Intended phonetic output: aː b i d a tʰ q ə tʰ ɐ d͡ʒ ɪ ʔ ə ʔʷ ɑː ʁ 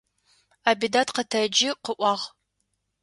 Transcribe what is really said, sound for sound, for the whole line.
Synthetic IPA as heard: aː b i d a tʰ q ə tʰ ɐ d͡ʒ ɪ q ə ʔʷ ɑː ʁ